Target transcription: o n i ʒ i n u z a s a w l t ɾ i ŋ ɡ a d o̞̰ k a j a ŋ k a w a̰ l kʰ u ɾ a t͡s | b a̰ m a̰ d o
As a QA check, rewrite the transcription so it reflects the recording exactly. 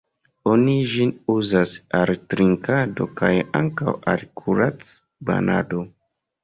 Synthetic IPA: o n i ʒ i n u z a s a l t ɾ i ŋ k a d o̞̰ k a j a ŋ k a w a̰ l kʰ u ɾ a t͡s | b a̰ n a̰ d o